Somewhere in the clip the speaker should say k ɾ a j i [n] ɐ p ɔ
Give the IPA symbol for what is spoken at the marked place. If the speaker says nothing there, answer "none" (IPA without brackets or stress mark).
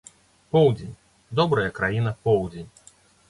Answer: n